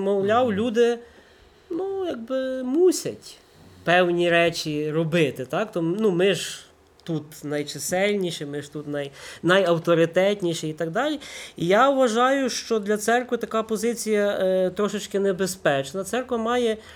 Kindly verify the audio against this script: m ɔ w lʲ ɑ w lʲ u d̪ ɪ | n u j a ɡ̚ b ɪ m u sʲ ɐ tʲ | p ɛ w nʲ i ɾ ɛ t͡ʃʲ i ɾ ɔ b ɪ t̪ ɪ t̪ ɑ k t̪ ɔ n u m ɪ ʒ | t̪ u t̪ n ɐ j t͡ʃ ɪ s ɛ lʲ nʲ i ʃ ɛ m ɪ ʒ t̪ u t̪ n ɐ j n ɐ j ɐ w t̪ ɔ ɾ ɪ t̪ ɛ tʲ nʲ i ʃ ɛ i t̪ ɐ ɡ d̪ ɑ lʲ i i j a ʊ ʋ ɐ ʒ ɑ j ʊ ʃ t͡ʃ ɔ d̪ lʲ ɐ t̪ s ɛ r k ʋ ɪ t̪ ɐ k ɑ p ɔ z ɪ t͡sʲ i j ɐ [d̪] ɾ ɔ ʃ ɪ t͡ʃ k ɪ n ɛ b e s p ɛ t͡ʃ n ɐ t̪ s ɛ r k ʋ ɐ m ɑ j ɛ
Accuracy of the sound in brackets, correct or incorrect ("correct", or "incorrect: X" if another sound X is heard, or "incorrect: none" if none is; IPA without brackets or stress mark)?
incorrect: t̪